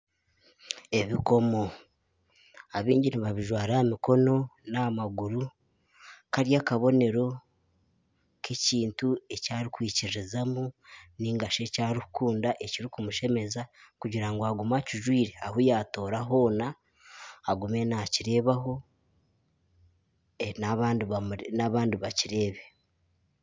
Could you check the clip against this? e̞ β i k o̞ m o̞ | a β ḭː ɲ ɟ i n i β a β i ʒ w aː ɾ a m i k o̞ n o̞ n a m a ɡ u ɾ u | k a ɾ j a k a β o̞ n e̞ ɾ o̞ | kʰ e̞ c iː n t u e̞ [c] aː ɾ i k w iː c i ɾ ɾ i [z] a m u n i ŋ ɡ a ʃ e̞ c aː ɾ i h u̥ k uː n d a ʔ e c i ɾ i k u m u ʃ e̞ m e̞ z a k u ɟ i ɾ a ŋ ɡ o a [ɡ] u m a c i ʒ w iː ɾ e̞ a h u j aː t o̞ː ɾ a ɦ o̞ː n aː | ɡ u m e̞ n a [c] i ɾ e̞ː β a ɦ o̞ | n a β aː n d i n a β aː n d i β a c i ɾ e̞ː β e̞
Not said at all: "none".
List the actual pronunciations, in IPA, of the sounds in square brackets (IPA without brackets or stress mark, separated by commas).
c, z, ɡ, c